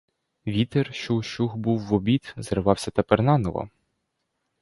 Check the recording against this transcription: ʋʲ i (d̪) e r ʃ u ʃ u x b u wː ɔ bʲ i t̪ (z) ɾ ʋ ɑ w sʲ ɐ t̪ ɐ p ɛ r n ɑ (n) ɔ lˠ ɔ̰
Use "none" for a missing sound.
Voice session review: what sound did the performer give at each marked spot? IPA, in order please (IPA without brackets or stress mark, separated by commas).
t̪, z, n